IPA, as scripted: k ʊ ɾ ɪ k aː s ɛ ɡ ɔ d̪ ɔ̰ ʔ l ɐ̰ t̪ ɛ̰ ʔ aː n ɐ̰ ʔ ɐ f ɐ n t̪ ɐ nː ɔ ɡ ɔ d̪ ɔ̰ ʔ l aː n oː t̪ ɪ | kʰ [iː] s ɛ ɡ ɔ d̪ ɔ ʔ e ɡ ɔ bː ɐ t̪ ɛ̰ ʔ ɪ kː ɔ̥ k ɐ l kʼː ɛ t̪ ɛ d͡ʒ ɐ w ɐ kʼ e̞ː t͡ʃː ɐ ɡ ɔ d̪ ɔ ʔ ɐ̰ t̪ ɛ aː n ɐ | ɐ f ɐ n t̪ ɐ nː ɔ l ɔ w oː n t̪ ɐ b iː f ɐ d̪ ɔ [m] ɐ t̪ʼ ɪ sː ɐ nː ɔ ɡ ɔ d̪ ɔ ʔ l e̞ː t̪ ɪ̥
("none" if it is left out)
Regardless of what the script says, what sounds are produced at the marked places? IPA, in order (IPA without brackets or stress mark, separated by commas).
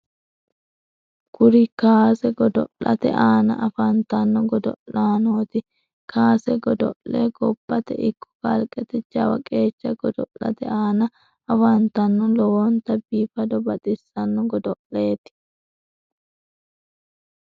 aː, b